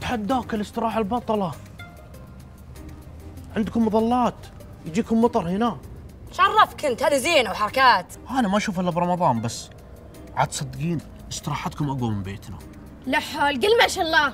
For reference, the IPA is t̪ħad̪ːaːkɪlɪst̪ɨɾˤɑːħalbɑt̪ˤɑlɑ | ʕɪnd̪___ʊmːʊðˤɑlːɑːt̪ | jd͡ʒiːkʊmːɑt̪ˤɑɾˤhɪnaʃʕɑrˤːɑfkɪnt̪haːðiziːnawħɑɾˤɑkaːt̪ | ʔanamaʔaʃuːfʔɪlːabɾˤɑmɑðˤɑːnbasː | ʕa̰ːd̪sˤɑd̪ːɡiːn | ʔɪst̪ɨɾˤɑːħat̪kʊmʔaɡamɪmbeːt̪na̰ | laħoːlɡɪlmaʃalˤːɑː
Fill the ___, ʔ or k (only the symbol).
k